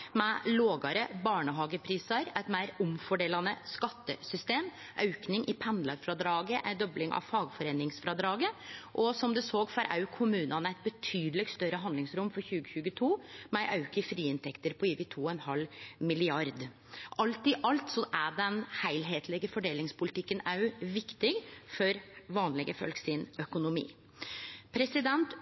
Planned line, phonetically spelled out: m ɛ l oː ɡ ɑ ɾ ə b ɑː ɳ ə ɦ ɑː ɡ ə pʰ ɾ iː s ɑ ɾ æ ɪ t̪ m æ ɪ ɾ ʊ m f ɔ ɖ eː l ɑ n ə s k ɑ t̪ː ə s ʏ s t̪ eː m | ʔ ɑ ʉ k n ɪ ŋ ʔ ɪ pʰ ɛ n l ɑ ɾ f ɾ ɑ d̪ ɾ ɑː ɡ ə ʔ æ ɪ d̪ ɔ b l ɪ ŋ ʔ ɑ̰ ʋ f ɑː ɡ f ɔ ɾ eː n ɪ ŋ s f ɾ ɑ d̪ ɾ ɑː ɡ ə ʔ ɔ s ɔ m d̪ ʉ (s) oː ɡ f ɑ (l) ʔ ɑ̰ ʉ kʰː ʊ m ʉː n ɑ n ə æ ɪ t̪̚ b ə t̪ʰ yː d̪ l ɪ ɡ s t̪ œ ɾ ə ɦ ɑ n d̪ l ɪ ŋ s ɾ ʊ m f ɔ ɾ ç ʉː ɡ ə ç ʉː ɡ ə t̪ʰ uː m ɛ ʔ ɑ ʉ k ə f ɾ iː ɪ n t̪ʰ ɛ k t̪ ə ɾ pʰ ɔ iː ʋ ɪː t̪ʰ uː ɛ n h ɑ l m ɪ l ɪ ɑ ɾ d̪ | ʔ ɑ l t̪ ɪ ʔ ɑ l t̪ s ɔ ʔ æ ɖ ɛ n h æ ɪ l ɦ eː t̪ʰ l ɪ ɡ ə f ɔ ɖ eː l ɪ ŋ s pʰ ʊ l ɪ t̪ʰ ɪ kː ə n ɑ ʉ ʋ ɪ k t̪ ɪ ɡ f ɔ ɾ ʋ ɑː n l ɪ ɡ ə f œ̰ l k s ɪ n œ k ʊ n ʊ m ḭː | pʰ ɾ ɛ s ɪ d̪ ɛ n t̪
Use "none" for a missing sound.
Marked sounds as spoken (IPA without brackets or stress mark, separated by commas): s, ɾ